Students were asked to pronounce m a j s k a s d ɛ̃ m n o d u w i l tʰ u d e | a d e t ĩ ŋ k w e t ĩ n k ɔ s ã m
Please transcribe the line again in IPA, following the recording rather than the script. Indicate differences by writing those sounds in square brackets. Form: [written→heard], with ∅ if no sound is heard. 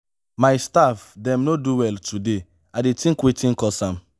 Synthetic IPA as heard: m a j s [k→t] a [s→f] d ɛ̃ m n o d u w [i→ɛ] l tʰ u d e | a d e t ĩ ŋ k w e t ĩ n k ɔ s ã m